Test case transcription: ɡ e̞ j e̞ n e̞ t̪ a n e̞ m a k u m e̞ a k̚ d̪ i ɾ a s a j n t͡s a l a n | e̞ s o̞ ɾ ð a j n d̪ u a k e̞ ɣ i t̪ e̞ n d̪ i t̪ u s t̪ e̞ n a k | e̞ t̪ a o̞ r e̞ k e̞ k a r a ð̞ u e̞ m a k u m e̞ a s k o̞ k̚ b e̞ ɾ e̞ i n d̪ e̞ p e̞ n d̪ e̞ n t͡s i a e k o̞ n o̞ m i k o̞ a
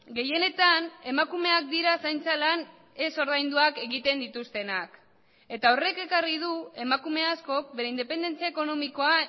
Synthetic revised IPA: ɡ e̞ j e̞ n e̞ t̪ a n e̞ m a k u m e̞ a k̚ d̪ i ɾ a s a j n t͡s a l a n | e̞ s o̞ ɾ ð a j n d̪ u a k e̞ ɣ i t̪ e̞ n d̪ i t̪ u s t̪ e̞ n a k | e̞ t̪ a o̞ r e̞ k e̞ k a r i ð̞ u e̞ m a k u m e̞ a s k o̞ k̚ b e̞ ɾ e̞ i n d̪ e̞ p e̞ n d̪ e̞ n t͡s i a e k o̞ n o̞ m i k o̞ a